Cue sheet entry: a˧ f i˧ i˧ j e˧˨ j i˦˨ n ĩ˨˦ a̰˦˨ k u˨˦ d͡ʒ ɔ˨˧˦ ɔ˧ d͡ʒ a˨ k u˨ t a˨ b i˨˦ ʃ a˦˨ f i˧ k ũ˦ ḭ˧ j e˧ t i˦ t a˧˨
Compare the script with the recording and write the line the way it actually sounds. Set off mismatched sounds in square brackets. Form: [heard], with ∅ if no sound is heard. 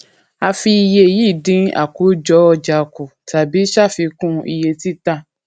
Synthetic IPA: a˧ f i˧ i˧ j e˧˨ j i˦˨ [d] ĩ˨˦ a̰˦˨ k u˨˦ d͡ʒ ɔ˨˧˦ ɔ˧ d͡ʒ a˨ k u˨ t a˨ b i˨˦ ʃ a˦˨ f i˧ k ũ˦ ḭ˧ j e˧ t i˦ t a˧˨